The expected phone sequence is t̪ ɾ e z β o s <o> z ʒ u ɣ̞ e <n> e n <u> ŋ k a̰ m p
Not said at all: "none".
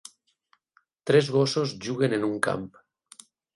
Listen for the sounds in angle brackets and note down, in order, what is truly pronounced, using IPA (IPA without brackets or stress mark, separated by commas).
o, n, u